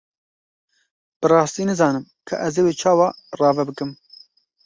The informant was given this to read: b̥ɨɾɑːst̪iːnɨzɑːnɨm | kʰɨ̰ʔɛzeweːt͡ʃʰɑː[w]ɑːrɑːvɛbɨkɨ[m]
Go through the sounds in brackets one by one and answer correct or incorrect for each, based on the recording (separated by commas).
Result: correct, correct